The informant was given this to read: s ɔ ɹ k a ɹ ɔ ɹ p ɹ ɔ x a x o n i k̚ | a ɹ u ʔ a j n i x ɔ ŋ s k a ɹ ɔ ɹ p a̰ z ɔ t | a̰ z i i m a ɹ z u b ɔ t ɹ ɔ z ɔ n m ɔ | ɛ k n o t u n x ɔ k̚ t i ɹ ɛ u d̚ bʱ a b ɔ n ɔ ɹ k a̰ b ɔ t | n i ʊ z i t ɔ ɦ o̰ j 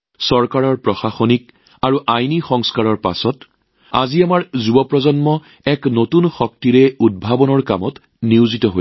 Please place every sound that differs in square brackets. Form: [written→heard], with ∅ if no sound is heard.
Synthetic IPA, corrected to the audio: s ɔ ɹ k a ɹ ɔ ɹ p ɹ ɔ x a x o n i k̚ | a ɹ u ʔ a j n i x ɔ ŋ s k a ɹ ɔ ɹ p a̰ [z→s] ɔ t | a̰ z i [i→a] m a ɹ z u b ɔ [t→p] ɹ ɔ z ɔ n m ɔ | ɛ k n o t u n x ɔ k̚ t i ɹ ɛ u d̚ bʱ a b ɔ n ɔ ɹ k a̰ [b→m] ɔ t | n i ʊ z i t ɔ ɦ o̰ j

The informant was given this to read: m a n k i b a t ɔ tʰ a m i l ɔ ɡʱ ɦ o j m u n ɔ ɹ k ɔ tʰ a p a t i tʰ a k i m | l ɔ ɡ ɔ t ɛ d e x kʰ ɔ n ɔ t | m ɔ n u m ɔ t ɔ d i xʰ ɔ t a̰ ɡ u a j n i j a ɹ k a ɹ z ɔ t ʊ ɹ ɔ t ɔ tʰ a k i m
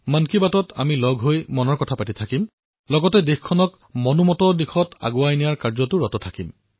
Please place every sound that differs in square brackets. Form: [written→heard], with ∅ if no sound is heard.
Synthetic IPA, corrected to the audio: m a n k i b a t ɔ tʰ a m i l ɔ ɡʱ ɦ o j m [u→ɔ] n ɔ ɹ k ɔ tʰ a p a t i tʰ a k i m | l ɔ ɡ ɔ t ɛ d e x kʰ ɔ n ɔ [t→k] | m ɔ n u m ɔ t ɔ d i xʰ ɔ t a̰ ɡ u a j n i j a ɹ k a ɹ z ɔ t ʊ ɹ ɔ t ɔ tʰ a k i m

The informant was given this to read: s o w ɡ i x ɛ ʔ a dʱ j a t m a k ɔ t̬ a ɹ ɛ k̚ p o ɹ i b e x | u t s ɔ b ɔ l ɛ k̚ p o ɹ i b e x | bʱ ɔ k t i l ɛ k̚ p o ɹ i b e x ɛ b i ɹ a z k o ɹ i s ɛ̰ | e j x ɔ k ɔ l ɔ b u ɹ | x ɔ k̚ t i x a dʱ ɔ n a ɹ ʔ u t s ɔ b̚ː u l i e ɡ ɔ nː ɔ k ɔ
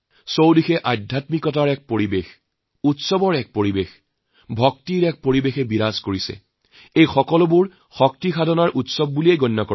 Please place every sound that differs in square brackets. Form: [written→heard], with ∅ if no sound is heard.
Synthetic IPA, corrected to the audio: s o w [ɡ→d] i x ɛ ʔ a dʱ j a t m [a→i] k ɔ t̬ a ɹ ɛ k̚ p o ɹ i b e x | u t s ɔ b ɔ [l→ɹ] ɛ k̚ p o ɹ i b e x | bʱ ɔ k t i [l→ɹ] ɛ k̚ p o ɹ i b e x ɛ b i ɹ a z k o ɹ i s ɛ̰ | e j x ɔ k ɔ l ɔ b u ɹ | x ɔ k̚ t i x a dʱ ɔ n a ɹ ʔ u t s ɔ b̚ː u l i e ɡ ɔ nː ɔ k ɔ

